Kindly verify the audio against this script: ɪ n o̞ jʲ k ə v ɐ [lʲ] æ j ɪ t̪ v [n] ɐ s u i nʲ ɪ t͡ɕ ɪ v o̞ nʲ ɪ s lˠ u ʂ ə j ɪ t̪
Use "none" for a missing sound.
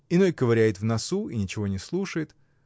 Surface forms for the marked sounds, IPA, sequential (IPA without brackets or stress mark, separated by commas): ɾʲ, n